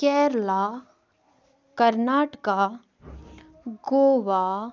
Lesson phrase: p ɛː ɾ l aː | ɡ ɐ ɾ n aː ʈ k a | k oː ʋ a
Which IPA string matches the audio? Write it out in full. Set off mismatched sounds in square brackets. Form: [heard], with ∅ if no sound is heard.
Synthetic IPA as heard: [k] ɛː ɾ l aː | [k] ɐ ɾ n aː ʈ k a | [ɡ] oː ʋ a